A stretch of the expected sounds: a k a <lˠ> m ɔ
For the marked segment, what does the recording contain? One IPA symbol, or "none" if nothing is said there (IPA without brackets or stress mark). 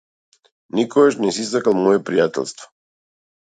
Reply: lˠ